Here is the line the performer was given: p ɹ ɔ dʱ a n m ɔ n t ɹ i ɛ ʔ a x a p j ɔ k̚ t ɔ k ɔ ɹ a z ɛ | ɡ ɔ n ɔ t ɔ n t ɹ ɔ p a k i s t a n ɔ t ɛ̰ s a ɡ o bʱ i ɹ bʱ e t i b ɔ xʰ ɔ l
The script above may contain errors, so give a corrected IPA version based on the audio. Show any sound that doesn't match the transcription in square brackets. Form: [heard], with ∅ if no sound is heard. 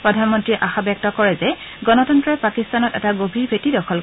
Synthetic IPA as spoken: p ɹ ɔ dʱ a n m ɔ n t ɹ i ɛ ʔ a x a [b] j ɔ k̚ t ɔ k ɔ ɹ [ɛ] z ɛ | ɡ ɔ n ɔ t ɔ n t ɹ ɔ p a k i s t a n ɔ t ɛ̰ [t] a ɡ o bʱ i ɹ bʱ e t i [d] ɔ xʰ ɔ l